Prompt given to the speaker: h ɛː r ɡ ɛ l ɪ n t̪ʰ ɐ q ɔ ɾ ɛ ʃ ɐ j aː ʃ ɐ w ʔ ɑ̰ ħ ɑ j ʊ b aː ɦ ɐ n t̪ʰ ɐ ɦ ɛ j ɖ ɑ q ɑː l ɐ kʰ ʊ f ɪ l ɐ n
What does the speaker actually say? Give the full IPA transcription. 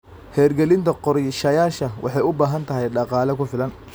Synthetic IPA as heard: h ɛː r ɡ ɛ l ɪ n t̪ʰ ɐ q ɔ ɾ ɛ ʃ ɐ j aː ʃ ɐ w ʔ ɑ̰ ħ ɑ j ʊ b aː ɦ ɐ n t̪ʰ ɐ ɦ ɛ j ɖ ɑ q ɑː l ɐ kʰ ʊ f ɪ l ɐ n